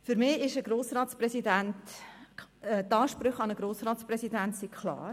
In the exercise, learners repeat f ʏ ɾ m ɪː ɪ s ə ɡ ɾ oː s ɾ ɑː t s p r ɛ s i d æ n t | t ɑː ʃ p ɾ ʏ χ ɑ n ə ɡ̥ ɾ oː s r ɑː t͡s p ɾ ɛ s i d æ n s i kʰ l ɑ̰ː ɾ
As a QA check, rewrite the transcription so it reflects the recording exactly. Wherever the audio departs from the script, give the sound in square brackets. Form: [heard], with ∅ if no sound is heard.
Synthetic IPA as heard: f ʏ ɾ m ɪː ɪ [ʃ] ə ɡ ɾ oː s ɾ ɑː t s p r ɛ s i d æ n t | t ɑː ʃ p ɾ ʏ χ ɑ n ə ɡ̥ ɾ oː s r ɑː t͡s p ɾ ɛ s i d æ n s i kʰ l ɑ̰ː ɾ

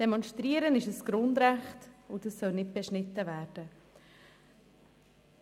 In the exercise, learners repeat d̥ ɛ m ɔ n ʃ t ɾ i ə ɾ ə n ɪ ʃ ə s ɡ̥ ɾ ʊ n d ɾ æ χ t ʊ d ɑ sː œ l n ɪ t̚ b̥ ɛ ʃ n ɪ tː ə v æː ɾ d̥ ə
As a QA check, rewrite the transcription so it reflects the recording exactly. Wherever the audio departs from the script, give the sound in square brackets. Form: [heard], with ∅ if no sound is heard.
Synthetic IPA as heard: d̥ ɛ m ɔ n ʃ t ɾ i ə ɾ ə n ɪ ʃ ə s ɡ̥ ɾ ʊ n d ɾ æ χ t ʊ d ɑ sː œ l n ɪ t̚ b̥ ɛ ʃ n ɪ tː ə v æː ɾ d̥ ə

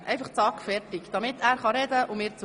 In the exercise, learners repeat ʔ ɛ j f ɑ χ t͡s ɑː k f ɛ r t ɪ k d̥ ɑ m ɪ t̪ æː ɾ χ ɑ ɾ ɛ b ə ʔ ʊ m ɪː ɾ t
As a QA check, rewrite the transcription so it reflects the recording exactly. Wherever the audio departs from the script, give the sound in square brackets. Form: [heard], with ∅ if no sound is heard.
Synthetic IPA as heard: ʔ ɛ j f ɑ χ t͡s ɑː k f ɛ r t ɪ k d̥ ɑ m ɪ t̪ æː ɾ χ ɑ ɾ ɛ [d] ə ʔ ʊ m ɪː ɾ [t͡s]

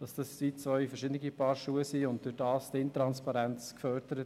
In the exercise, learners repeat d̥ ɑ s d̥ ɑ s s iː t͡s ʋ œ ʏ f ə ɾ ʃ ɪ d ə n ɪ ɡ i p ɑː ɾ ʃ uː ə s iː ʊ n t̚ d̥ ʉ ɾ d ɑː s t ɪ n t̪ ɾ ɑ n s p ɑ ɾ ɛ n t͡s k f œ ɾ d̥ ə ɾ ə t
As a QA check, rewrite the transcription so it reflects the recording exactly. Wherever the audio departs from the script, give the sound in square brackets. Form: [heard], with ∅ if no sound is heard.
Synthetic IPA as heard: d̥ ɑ s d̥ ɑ s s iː t͡s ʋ œ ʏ f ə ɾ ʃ ɪ d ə n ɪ ɡ i p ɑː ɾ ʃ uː ə s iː ʊ n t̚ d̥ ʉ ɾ d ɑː s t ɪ n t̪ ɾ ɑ n s p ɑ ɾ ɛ n t͡s k f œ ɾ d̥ ə ɾ ə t

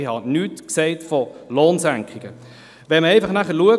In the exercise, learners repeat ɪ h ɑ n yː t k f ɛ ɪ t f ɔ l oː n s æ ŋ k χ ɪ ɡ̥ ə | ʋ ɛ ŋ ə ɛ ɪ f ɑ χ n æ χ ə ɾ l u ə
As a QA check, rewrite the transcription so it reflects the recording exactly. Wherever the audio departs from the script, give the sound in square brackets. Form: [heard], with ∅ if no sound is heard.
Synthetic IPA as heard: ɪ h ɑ n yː t k [s] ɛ ɪ t f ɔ l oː n s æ ŋ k χ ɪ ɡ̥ ə | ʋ ɛ [m] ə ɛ ɪ f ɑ χ n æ χ ə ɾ l u ə

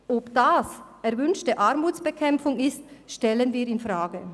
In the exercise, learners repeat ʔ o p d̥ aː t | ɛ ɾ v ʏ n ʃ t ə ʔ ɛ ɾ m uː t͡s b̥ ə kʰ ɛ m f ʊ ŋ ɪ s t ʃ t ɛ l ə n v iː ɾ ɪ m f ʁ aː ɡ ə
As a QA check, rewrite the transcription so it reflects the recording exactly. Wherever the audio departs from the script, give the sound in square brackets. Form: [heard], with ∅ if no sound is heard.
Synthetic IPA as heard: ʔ o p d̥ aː [s] | ɛ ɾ v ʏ n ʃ t ə ʔ [a] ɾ m uː t͡s b̥ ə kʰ ɛ m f ʊ ŋ ɪ s t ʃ t ɛ l ə n v iː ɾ ɪ [n] f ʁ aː ɡ ə

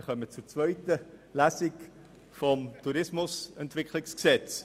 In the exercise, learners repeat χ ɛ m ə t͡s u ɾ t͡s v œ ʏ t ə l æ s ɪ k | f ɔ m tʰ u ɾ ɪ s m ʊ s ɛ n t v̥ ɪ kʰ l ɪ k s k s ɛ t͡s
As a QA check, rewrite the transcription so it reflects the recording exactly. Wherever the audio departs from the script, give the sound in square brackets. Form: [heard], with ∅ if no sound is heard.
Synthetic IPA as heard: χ [œ] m ə t͡s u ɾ t͡s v œ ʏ t ə l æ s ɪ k | f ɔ m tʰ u ɾ ɪ s m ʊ s ɛ n t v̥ ɪ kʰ l ɪ k s k s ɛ t͡s

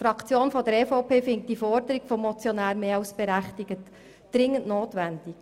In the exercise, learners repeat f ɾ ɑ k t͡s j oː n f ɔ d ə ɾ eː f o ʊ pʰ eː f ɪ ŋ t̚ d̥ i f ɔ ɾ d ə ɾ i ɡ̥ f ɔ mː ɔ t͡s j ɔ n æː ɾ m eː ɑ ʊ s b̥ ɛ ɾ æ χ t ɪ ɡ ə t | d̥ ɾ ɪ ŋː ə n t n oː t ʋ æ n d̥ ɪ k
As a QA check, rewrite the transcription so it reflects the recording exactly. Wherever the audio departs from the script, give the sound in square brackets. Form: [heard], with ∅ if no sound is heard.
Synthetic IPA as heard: f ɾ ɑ k t͡s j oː n f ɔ d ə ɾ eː f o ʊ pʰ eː f ɪ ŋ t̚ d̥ i f ɔ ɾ d ə ɾ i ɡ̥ f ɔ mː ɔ t͡s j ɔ n æː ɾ m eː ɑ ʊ s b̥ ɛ ɾ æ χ t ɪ ɡ ə t | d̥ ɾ ɪ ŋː ə n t n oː t ʋ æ n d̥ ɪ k

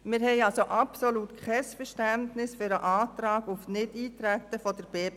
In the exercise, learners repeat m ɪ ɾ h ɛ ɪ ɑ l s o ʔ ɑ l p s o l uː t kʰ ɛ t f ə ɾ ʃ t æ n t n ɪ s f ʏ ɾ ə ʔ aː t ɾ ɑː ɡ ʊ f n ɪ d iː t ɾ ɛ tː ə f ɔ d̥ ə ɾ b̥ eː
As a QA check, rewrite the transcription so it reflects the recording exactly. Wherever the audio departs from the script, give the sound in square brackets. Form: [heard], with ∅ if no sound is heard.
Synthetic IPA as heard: m ɪ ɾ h ɛ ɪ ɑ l s o ʔ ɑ [∅] p s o l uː t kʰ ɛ [s] f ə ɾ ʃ t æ n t n ɪ s f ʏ ɾ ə ʔ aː t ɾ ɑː ɡ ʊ f n ɪ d iː t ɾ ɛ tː ə f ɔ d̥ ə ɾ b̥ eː

